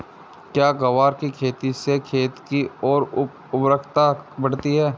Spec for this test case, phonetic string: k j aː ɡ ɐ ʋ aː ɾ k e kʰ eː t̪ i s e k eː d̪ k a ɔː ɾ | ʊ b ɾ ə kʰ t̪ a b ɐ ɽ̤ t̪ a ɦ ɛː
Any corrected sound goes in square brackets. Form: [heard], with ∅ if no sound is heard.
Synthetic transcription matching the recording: k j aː ɡ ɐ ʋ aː ɾ k [i] kʰ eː t̪ i s e [kʰ] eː [t̪] k [i] ɔː ɾ | ʊ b ɾ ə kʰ t̪ a b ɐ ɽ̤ t̪ [i] ɦ ɛː